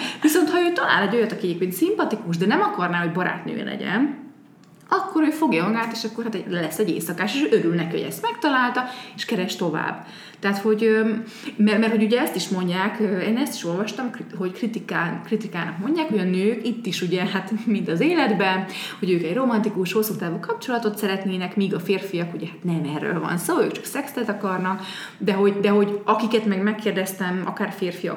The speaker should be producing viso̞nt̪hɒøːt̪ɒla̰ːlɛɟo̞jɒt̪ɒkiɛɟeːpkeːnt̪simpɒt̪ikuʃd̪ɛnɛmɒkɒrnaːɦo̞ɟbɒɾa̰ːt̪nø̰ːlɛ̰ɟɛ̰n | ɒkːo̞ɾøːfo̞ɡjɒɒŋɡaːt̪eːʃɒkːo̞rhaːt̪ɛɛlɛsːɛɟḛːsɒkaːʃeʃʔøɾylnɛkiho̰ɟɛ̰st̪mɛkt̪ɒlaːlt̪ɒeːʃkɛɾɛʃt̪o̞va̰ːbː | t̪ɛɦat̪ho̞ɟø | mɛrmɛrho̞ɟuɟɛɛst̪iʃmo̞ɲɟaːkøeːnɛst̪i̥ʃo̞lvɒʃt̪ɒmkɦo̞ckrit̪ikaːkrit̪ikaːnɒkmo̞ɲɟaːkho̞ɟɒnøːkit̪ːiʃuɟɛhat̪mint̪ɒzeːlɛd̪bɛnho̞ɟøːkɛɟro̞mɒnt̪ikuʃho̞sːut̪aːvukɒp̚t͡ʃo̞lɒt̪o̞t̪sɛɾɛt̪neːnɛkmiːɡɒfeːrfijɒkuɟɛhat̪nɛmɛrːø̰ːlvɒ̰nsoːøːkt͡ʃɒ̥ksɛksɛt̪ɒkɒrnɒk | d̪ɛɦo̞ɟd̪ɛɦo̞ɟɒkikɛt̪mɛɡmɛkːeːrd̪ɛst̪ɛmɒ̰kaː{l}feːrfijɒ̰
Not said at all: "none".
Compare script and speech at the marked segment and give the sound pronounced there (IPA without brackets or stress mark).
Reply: r